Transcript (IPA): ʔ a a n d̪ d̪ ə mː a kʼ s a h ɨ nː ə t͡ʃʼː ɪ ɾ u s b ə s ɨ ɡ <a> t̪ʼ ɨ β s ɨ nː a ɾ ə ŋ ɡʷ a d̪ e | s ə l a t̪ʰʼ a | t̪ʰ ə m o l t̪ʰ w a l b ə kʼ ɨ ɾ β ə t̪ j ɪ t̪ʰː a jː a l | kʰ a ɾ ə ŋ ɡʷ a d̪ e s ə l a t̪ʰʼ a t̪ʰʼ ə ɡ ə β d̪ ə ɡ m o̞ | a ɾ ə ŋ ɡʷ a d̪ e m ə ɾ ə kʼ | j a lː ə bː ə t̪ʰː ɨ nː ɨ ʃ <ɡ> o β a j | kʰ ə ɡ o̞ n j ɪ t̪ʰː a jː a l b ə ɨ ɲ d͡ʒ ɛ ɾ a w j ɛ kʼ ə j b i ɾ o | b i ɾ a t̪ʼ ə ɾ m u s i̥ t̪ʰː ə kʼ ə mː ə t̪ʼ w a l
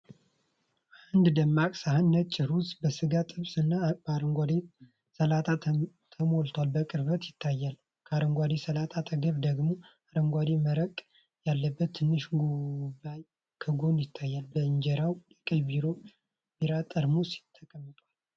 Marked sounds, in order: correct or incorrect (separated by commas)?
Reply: correct, correct